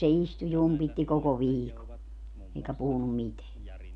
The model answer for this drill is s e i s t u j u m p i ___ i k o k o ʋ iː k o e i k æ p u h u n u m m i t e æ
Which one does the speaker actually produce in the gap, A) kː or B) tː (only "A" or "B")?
B